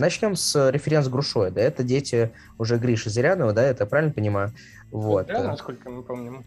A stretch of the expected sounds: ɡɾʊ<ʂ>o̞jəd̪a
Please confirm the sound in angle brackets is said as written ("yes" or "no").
yes